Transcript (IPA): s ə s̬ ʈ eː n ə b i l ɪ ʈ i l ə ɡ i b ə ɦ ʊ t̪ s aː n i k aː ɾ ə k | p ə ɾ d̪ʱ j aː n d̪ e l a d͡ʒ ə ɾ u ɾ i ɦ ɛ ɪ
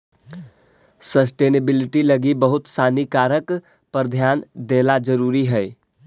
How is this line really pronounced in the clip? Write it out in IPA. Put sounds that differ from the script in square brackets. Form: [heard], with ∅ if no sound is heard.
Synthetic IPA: s ə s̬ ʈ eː n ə b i l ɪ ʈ i l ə ɡ i b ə ɦ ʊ t̪ s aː n i k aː ɾ ə k | p ə ɾ d̪ʱ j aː n d̪ e l a d͡ʒ ə ɾ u ɾ i ɦ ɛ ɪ